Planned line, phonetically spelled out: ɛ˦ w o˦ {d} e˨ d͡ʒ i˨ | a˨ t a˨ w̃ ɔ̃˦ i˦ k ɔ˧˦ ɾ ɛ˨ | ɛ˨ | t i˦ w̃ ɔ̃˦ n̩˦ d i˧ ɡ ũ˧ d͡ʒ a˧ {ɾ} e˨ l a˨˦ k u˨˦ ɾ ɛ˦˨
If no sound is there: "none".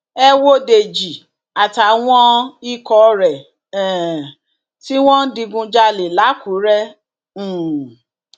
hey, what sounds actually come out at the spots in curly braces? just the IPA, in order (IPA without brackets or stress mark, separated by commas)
d, l